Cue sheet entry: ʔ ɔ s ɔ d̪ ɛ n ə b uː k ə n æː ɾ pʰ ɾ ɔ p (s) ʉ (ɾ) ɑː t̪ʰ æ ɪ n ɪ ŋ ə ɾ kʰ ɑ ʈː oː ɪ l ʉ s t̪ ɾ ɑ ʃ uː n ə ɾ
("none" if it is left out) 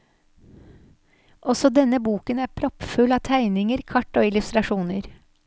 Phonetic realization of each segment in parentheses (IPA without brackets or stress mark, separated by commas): f, l